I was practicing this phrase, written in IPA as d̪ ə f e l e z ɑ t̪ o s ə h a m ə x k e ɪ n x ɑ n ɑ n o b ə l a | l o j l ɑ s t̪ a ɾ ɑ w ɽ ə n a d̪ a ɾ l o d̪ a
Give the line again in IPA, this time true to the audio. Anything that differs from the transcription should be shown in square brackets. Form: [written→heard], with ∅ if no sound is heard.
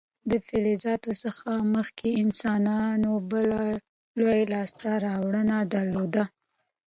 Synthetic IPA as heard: d̪ ə f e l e z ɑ t̪ o s ə [h→x] a m ə x k e ɪ n [x→s] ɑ n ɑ n o b ə l a | l o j l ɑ s t̪ a ɾ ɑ w ɽ ə n a d̪ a ɾ l o d̪ a